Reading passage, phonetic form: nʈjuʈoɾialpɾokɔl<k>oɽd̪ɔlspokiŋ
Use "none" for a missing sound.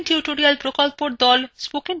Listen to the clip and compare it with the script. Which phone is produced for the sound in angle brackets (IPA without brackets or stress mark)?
p